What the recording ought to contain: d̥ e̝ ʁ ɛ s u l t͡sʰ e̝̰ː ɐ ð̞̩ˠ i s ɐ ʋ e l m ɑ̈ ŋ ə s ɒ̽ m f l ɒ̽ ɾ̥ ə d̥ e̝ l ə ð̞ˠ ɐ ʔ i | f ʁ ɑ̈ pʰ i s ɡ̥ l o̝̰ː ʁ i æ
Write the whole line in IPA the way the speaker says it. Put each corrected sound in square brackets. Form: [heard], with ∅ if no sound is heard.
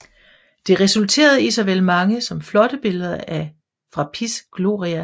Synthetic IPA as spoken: d̥ e̝ ʁ ɛ s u l t͡sʰ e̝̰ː ɐ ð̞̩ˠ i s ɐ ʋ e l m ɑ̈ ŋ ə s ɒ̽ m f l ɒ̽ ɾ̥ ə [b̥] e̝ l ə ð̞ˠ ɐ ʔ [æ] | f ʁ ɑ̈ pʰ i s ɡ̥ l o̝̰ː ʁ i æ